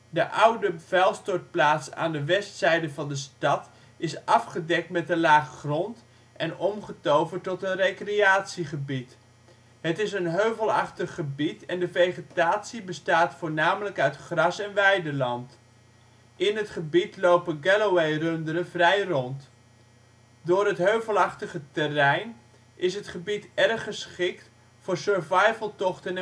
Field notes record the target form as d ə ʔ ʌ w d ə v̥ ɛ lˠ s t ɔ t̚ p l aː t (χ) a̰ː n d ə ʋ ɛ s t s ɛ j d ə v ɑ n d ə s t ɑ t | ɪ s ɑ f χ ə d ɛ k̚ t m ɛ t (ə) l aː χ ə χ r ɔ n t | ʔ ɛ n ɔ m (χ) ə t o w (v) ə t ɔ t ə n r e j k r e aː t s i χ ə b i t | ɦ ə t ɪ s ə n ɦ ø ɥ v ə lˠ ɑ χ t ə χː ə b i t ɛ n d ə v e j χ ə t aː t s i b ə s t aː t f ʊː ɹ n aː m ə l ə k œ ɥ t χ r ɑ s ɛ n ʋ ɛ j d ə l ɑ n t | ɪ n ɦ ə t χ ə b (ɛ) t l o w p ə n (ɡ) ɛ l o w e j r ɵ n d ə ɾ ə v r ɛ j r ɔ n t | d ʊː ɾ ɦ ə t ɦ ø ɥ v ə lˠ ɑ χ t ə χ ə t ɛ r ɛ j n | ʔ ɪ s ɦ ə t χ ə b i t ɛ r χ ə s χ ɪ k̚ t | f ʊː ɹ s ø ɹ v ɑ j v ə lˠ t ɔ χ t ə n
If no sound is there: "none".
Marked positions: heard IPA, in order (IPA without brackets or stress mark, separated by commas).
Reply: s, ə, χ, v, i, ɡ